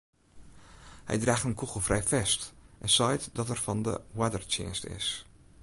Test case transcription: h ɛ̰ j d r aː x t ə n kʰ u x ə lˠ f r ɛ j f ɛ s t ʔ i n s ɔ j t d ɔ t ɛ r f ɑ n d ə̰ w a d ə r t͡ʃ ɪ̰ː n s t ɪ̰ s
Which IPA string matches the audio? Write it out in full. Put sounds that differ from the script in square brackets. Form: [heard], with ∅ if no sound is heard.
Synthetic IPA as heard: h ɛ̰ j d r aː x t ə n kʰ u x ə lˠ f r ɛ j f ɛ s t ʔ [ɛ] n s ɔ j t d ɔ t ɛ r f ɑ n d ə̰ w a d ə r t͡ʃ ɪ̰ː n s t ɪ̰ s